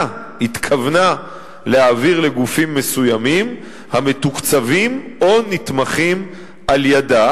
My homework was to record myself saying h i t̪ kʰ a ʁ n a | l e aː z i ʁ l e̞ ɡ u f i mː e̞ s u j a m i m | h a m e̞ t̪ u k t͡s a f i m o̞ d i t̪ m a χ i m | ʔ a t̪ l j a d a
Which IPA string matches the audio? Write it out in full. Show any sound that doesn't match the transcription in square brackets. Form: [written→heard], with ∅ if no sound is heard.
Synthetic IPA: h i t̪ kʰ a [ʁ→v] n a | l e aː [z→v] i ʁ l e̞ ɡ u f i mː e̞ s u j a m i m | h a m e̞ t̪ u k t͡s a [f→v] i m o̞ [d→n] i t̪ m a χ i m | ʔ a [t̪→∅] l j a d a